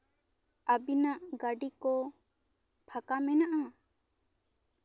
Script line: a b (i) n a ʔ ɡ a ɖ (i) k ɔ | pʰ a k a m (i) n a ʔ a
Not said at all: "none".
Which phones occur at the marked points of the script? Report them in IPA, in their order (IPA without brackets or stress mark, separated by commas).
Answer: i, i, ɛ